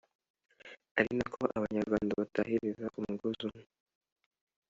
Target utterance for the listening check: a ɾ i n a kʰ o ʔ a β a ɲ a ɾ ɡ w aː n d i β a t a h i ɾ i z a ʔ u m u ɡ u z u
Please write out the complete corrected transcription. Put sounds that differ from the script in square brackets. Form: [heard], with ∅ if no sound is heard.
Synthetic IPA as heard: a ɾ i n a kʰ o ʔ a β a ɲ a ɾ ɡ w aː n d [a] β a t a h i ɾ i z a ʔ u m u ɡ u z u